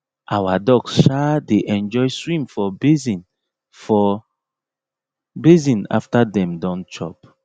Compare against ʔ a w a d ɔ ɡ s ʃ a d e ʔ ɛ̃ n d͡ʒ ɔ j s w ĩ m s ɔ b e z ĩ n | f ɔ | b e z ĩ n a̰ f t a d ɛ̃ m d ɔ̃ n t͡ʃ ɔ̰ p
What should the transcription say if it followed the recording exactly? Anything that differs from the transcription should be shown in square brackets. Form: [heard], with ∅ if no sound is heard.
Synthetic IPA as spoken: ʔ a w a d ɔ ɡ s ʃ a d e ʔ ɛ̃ n d͡ʒ ɔ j s w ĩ m [f] ɔ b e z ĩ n | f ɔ | b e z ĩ n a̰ f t a d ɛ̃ m d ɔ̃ n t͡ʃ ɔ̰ p